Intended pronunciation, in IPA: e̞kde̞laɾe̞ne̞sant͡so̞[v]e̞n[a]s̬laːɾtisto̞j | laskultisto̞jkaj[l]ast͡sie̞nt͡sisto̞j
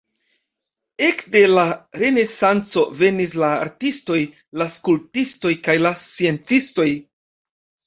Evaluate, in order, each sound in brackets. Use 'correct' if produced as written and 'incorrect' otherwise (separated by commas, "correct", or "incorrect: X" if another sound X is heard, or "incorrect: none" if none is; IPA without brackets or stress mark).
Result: correct, incorrect: i, correct